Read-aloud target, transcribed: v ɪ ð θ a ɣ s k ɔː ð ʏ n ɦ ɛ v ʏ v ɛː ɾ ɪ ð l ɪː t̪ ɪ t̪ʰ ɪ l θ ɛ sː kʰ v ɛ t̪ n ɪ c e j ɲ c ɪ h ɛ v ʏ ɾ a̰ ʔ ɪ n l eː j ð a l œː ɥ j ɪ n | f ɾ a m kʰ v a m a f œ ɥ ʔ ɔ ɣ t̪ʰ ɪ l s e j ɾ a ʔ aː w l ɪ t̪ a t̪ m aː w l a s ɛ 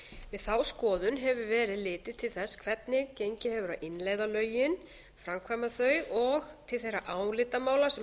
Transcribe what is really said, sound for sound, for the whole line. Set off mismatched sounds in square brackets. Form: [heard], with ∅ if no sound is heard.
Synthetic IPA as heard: v ɪ ð θ a [w] s k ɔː ð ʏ n ɦ ɛ v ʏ v ɛː ɾ ɪ ð l ɪː t̪ ɪ t̪ʰ ɪ l θ ɛ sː kʰ v ɛ t̪ n ɪ c e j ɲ c ɪ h ɛ v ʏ ɾ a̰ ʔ ɪ n l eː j ð a l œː ɥ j ɪ n | f ɾ a m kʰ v a m a [θ] œ ɥ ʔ ɔ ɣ t̪ʰ ɪ l [θ] e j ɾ a ʔ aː w l ɪ t̪ a [∅] m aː w l a s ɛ